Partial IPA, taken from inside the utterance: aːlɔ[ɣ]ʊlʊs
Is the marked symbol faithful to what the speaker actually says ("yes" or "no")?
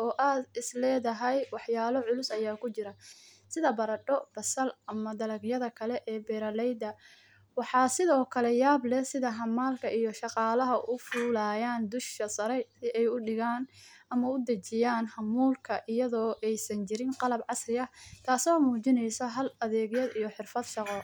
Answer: no